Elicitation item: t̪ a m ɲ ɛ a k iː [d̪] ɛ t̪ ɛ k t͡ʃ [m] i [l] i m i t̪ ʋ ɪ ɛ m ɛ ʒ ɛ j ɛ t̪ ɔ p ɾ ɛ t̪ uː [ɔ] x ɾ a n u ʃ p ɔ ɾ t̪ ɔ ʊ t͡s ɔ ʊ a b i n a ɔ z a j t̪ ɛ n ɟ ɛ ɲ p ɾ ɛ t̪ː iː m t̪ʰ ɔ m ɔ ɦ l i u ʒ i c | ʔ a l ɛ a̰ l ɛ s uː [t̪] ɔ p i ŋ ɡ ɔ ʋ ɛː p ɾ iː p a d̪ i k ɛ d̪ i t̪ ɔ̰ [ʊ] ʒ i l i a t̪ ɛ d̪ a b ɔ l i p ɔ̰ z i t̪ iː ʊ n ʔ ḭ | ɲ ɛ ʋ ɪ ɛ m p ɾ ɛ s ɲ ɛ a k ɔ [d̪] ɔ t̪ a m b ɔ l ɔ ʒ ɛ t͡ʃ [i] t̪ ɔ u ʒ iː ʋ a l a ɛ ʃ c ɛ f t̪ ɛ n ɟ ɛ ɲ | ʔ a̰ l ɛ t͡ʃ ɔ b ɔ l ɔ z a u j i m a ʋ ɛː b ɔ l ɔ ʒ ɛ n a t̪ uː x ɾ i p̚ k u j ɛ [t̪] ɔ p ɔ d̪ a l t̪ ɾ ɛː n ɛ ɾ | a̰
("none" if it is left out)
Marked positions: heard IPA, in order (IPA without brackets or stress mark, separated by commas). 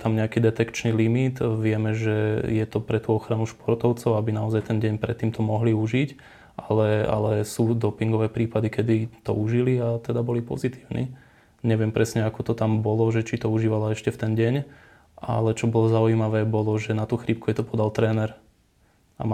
d̪, n, l, ɔ, d̪, u, t̪, i, t̪